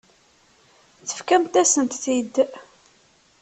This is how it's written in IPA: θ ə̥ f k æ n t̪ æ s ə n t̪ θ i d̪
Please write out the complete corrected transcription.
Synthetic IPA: θ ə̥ f k æ m t̪ æ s ə n t̪ θ i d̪

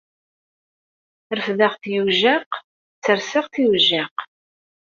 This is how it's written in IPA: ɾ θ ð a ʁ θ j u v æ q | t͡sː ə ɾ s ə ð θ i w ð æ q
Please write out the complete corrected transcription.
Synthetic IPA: ɾ f ð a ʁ θ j u ʒ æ q | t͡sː ə ɾ s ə ʁ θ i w ʒ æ q

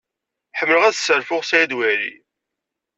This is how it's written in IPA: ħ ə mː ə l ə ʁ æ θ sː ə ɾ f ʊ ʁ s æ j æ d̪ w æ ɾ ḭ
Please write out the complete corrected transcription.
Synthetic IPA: ħ ə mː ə l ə ʁ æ ð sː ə ɾ f ʊ ʁ s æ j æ d̪ w æ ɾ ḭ

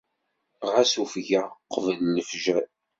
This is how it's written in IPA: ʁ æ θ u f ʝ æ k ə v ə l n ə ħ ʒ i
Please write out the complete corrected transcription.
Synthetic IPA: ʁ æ s u f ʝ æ q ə v ə l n ə f ʒ æ

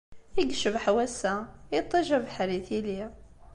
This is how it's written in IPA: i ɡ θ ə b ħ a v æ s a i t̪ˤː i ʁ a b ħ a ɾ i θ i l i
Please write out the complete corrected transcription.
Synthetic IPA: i ɡ ʃ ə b ħ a w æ s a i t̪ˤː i ʒ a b ħ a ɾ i θ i l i

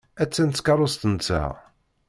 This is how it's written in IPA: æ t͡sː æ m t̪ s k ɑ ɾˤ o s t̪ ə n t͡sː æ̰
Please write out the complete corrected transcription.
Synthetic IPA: æ t͡sː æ n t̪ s k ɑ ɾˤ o s t̪ ə n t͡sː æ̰

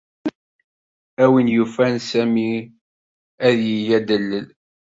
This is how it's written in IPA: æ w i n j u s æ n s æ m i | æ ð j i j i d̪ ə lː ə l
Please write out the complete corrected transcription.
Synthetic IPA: æ w i n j u f æ n s æ m i | æ ð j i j æ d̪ ə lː ə l

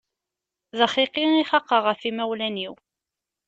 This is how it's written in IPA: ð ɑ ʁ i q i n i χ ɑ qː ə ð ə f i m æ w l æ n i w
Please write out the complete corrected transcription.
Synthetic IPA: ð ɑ χ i q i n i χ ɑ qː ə ʁ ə f i m æ w l æ n i w

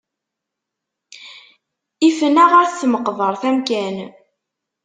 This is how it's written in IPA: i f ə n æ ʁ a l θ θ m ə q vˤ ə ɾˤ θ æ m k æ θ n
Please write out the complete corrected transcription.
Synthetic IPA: i f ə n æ ʁ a ɾ θ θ m ə q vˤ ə ɾˤ θ æ m k æ n

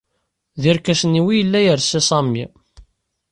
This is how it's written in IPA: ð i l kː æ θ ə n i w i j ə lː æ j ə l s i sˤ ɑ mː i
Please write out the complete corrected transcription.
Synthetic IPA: ð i ɾ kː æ s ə n i w i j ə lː æ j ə ɾ s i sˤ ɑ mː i

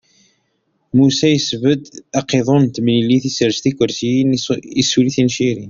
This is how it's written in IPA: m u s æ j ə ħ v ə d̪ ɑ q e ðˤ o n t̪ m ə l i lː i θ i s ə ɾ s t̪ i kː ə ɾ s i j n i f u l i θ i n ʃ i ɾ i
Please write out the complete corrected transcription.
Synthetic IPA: m u s æ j ə s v ə d̪ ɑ q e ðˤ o n t̪ m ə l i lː i θ i s ə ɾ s t̪ i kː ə ɾ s i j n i s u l i θ i n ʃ i ɾ i

